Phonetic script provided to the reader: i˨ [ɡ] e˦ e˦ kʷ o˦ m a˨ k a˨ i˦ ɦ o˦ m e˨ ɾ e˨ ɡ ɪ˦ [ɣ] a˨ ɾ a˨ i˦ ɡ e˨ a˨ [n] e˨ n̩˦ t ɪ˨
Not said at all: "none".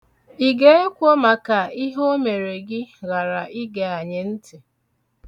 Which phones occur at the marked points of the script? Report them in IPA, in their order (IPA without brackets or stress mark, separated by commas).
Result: ɡ, ɣ, ɲ